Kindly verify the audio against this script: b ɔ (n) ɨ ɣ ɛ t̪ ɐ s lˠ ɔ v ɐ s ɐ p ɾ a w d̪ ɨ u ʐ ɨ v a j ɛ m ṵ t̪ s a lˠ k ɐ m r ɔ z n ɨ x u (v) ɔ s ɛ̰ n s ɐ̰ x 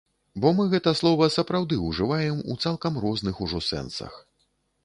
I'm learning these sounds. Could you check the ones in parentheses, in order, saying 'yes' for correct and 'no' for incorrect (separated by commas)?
no, no